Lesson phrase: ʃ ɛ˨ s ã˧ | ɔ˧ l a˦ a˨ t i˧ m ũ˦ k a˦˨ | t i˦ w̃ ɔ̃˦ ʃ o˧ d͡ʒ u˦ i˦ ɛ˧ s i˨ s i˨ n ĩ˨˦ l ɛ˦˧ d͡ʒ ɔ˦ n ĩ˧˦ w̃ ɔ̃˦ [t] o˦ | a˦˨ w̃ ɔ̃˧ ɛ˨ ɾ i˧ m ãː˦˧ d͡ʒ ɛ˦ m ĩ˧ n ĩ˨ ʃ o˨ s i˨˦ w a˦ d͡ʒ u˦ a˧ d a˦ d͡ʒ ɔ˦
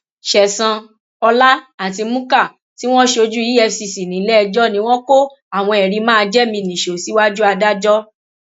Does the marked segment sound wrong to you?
yes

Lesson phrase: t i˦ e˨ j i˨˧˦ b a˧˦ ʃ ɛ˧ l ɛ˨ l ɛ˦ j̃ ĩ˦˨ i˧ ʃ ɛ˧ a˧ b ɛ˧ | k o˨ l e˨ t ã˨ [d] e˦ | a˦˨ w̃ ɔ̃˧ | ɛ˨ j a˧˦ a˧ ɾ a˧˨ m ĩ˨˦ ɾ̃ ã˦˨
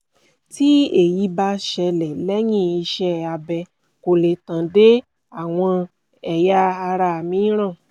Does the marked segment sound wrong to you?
no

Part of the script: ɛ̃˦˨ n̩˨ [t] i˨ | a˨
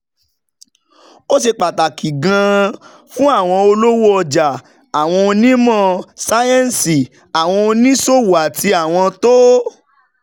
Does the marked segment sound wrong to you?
yes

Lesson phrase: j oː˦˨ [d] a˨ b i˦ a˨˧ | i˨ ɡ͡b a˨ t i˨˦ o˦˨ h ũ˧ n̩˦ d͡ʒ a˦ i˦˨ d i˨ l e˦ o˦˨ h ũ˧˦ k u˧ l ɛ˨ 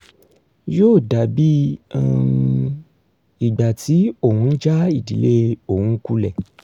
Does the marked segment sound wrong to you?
no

